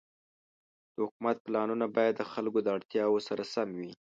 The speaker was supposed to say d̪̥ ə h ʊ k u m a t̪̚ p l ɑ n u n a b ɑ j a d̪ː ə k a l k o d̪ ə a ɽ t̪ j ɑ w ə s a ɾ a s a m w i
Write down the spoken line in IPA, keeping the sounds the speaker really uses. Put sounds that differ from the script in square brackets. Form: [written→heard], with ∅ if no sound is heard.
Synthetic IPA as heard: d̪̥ ə h ʊ k u m a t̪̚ p l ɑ n u n a b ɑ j a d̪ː ə [k→x] a l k o d̪ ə a ɽ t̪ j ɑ w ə s a ɾ a s a m w i